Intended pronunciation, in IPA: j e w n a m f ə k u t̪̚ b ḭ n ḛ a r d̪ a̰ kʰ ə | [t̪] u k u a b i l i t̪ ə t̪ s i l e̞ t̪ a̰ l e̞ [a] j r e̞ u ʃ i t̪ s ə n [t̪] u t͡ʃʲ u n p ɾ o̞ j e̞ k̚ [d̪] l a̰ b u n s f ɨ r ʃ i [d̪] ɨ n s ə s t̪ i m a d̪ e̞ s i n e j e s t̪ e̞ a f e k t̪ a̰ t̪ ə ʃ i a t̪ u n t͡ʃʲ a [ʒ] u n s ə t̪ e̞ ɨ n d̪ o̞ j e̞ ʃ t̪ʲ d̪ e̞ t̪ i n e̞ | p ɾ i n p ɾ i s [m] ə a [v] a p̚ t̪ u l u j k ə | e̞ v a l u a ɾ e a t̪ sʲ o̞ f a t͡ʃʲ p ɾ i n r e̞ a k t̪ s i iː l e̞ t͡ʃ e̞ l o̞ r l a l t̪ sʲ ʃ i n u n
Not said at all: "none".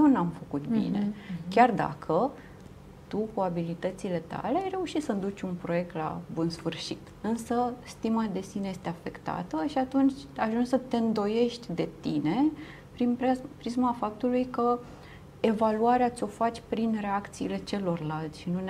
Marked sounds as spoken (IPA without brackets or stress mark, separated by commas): t̪, a, d̪, t̪, t̪, ʒ, m, f